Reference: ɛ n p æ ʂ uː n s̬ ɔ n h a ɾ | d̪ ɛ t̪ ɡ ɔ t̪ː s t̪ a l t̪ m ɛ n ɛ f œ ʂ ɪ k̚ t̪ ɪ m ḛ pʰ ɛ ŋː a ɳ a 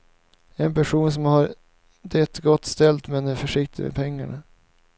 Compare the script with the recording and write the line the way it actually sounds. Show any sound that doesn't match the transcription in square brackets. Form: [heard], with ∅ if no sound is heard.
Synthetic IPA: ɛ n p æ ʂ uː n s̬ ɔ [m] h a ɾ | d̪ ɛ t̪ ɡ ɔ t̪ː s t̪ [ɛ] l t̪ m ɛ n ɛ f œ ʂ ɪ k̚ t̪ ɪ m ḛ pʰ ɛ ŋː a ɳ a